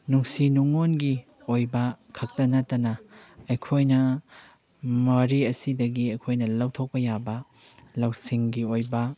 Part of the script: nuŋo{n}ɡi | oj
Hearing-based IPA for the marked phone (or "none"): n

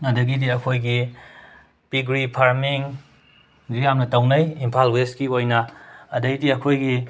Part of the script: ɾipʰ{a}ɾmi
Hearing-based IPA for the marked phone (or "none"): a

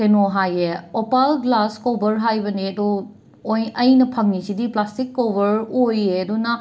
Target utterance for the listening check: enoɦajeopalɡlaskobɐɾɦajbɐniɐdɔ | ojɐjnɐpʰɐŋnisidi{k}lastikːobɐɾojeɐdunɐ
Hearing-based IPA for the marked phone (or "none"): p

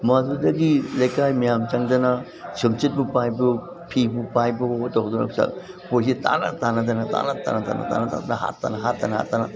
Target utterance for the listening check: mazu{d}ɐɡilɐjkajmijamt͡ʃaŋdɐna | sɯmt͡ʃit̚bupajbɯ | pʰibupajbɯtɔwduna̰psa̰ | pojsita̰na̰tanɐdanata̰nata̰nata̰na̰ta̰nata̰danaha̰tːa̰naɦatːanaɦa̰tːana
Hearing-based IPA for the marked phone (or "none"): d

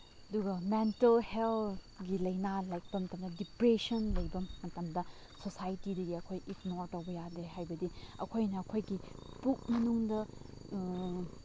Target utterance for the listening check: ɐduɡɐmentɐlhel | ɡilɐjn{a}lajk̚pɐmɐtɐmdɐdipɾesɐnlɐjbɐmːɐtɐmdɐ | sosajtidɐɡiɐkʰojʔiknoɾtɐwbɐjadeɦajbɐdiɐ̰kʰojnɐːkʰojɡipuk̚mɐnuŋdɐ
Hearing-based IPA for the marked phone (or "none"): a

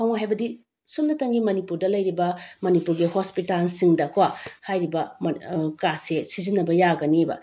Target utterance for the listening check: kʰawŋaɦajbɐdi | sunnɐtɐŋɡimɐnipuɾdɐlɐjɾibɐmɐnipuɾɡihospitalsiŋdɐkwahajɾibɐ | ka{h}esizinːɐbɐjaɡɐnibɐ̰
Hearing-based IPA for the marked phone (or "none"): s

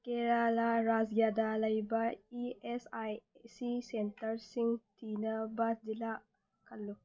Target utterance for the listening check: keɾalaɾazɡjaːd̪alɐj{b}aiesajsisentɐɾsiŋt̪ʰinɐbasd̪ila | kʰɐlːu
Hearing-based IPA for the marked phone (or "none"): b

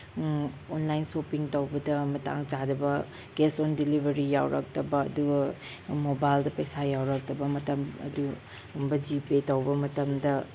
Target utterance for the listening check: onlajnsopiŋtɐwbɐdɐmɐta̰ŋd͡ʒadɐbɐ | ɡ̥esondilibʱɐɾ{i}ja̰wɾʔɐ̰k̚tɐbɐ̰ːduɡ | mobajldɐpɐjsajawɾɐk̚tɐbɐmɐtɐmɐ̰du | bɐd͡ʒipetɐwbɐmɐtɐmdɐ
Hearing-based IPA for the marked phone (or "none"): i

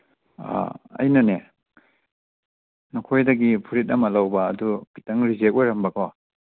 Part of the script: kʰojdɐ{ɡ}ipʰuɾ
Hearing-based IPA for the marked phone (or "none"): ɡ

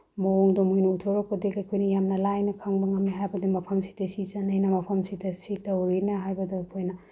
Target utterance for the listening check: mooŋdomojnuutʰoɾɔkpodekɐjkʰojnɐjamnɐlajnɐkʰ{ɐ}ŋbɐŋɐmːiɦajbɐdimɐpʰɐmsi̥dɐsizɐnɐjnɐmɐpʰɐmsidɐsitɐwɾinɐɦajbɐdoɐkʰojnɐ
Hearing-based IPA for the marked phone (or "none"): a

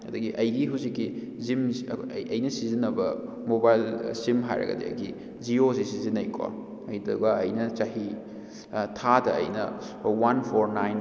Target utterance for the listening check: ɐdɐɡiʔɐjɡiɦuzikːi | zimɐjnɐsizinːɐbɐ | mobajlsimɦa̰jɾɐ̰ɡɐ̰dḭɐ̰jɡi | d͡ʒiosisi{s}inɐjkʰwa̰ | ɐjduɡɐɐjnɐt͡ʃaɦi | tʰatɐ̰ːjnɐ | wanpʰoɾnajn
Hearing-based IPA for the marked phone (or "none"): z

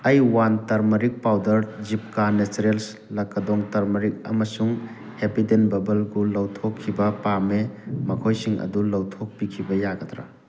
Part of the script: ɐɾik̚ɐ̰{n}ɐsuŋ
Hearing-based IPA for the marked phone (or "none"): m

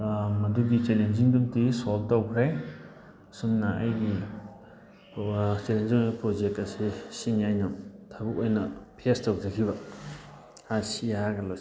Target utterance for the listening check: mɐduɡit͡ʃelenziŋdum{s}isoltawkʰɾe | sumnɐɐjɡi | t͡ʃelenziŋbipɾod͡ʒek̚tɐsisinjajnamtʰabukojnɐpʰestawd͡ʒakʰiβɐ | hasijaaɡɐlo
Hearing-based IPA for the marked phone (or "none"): t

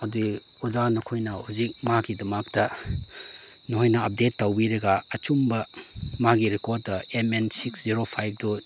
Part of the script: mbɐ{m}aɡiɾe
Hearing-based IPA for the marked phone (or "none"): m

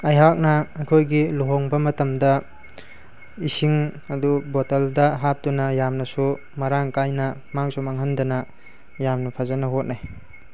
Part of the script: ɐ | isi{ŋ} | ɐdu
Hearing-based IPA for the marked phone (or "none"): ŋ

